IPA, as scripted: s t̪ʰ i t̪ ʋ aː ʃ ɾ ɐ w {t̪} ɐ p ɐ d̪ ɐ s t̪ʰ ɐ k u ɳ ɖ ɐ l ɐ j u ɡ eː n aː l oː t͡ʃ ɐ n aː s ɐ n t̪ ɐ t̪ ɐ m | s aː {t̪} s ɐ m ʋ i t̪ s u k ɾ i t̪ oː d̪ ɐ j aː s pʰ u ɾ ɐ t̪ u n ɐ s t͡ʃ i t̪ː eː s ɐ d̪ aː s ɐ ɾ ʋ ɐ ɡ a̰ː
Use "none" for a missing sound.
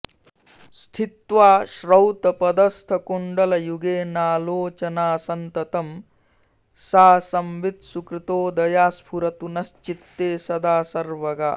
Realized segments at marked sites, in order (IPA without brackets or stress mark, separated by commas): t̪, none